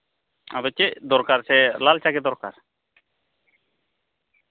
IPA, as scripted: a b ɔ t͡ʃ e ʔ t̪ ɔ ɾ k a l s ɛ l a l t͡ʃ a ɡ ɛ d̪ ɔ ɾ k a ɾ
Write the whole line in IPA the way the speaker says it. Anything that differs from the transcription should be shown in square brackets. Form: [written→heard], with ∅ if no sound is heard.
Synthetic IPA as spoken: a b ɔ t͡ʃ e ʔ [t̪→d̪] ɔ ɾ k a [l→ɾ] s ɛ l a l t͡ʃ a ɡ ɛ d̪ ɔ ɾ k a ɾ